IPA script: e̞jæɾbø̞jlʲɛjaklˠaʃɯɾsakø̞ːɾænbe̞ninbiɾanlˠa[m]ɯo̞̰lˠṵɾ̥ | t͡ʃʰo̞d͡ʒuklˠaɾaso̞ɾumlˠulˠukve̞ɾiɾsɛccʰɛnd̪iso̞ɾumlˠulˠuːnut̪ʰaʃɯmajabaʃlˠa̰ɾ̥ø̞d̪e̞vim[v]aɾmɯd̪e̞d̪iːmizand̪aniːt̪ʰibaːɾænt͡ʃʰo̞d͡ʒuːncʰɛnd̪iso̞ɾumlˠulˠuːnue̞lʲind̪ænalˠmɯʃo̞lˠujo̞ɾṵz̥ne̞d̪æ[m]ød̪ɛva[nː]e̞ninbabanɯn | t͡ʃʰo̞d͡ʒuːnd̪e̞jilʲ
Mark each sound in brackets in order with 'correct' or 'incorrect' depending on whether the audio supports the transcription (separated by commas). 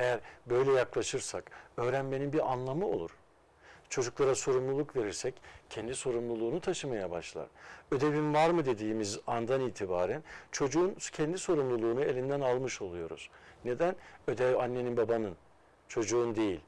correct, correct, incorrect, correct